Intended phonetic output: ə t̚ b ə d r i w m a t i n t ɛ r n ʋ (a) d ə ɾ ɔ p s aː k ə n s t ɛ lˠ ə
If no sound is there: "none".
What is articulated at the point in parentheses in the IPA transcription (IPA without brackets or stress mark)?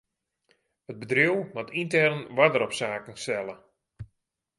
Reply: a